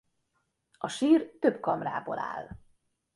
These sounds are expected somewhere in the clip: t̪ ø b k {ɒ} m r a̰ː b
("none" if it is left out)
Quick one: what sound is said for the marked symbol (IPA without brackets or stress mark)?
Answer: ɒ